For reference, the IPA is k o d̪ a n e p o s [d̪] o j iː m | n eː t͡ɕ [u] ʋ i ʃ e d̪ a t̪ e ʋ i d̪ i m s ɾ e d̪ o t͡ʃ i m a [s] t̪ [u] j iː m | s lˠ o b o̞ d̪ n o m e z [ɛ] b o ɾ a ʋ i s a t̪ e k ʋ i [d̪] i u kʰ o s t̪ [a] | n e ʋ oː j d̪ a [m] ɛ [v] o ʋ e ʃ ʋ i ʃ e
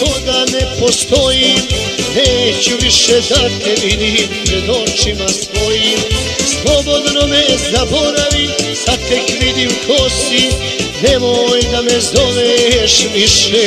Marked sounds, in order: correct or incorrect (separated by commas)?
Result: incorrect, correct, correct, incorrect, incorrect, correct, incorrect, correct, incorrect